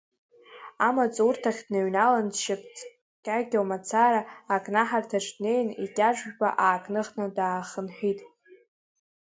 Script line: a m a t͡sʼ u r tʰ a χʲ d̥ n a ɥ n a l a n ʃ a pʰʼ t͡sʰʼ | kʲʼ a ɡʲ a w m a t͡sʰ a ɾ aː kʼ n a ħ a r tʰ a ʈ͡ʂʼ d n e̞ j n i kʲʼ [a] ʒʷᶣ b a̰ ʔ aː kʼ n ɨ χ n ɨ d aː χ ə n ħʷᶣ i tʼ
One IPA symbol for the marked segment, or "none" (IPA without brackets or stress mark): a